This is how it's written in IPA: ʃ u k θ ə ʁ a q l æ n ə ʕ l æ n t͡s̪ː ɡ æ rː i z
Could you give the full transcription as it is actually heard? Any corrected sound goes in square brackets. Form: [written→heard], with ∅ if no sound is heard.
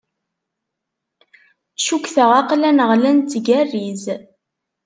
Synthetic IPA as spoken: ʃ u k θ ə ʁ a q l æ n ə [ʕ→ʁ] l æ n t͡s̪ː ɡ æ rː i z